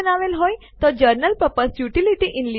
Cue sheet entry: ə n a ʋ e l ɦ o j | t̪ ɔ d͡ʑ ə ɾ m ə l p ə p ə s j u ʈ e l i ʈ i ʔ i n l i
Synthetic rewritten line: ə n a ʋ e l ɦ o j | t̪ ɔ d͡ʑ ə ɾ n ə l p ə p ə s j u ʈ i l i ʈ i ʔ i n l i